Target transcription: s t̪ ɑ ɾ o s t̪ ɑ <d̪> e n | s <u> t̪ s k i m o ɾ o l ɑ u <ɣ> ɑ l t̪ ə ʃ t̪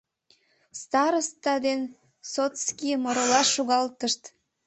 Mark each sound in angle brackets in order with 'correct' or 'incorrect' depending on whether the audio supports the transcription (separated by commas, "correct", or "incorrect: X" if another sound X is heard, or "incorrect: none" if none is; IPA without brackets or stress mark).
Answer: correct, incorrect: o, correct